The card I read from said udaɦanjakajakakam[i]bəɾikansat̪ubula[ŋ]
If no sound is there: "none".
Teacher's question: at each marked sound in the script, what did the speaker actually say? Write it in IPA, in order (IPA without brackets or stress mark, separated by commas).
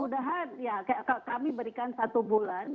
i, n